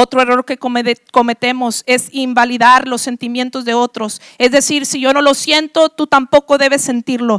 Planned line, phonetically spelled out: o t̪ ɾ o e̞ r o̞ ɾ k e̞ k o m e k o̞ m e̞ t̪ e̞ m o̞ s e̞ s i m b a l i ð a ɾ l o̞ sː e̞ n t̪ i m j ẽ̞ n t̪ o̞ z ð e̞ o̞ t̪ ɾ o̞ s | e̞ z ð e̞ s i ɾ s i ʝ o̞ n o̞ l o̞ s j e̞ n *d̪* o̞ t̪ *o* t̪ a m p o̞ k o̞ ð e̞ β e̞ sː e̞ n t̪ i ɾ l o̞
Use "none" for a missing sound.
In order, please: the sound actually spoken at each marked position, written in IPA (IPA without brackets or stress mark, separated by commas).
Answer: t̪, u